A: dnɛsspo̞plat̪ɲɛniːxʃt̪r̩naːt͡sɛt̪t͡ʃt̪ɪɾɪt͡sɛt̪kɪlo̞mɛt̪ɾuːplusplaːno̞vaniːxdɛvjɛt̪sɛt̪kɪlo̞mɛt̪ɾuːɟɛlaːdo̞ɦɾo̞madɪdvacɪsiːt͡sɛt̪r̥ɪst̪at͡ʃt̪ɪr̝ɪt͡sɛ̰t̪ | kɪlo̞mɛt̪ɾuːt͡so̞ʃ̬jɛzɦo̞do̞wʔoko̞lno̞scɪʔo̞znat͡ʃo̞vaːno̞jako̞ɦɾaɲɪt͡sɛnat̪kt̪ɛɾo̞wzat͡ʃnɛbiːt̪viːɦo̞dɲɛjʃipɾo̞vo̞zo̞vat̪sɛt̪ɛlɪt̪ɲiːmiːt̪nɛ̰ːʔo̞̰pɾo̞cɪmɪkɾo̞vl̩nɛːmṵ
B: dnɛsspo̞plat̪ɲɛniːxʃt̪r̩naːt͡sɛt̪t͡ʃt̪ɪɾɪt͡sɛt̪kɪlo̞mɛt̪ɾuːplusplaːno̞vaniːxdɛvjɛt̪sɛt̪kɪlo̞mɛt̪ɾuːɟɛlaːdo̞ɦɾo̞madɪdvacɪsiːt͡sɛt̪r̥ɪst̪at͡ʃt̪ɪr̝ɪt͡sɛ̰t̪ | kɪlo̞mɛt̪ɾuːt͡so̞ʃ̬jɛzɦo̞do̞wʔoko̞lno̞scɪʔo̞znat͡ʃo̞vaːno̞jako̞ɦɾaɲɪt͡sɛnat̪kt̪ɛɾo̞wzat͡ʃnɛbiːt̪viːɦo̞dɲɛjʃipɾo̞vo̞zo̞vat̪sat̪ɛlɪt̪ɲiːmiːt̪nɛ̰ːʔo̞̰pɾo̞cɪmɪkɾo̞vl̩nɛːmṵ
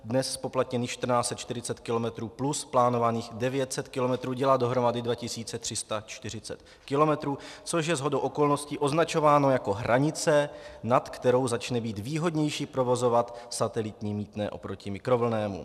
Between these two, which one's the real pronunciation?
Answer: B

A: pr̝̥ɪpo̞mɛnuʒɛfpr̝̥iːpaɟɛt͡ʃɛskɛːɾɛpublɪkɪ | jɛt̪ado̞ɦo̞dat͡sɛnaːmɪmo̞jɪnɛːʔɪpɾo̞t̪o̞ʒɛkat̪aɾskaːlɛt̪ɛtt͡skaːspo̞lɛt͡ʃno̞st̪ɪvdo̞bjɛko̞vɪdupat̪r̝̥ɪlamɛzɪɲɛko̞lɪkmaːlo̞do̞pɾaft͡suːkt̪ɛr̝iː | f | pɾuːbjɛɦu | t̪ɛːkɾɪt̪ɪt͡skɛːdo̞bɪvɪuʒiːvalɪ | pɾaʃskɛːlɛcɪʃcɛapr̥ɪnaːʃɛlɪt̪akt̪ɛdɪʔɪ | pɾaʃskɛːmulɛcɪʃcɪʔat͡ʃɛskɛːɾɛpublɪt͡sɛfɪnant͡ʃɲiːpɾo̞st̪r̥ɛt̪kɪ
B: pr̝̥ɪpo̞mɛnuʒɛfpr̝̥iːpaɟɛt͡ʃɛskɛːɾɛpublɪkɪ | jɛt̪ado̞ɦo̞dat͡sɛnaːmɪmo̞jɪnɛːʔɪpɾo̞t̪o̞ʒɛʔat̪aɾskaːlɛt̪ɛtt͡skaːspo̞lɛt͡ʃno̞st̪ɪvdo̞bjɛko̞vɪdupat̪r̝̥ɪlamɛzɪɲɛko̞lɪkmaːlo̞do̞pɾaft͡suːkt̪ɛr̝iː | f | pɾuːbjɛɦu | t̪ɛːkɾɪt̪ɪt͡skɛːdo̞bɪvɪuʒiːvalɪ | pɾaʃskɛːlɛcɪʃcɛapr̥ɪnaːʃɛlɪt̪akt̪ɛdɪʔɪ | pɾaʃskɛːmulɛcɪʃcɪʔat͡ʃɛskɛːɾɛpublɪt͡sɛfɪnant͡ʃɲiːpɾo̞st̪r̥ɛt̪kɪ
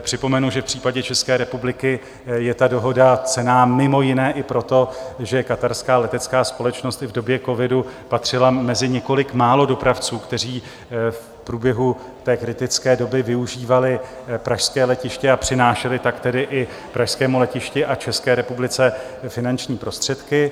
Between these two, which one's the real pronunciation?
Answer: A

